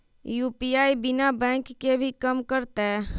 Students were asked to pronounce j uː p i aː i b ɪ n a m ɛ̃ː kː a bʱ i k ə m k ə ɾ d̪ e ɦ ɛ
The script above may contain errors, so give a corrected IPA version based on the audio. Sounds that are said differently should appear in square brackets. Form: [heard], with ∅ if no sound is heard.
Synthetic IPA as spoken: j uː p i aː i b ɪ n a [b] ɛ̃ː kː [e] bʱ i k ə m k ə ɾ [t̪] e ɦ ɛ